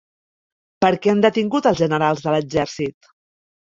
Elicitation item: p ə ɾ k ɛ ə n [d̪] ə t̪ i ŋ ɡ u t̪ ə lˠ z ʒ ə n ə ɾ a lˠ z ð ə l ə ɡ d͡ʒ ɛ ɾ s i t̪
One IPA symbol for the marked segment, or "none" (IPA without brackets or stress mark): d̪